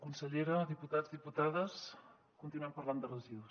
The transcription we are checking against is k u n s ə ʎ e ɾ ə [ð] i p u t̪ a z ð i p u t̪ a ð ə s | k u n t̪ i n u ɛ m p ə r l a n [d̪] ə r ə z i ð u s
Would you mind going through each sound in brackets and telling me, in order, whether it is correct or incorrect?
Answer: correct, correct

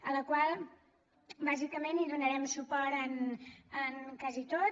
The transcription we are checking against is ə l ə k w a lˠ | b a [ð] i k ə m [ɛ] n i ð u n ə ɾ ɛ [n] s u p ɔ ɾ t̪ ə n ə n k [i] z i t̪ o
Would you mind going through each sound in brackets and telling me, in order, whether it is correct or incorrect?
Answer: incorrect: z, incorrect: e, incorrect: m, incorrect: a

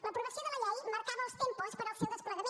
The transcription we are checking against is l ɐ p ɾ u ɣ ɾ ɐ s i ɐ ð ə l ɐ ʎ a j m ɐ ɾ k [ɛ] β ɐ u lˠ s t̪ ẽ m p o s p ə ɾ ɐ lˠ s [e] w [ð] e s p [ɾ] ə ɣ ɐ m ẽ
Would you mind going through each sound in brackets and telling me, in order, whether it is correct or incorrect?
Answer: incorrect: a, correct, correct, incorrect: l

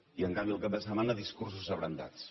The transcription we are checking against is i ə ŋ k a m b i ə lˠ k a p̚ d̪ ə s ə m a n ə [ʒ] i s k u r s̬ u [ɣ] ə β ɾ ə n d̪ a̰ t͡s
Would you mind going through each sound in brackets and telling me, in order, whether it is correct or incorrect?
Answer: incorrect: ð, incorrect: z

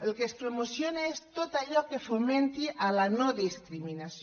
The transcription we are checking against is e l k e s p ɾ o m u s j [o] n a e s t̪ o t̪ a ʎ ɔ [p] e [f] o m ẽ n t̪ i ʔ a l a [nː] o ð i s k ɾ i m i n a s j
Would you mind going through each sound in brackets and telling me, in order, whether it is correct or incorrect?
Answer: correct, incorrect: k, correct, incorrect: n

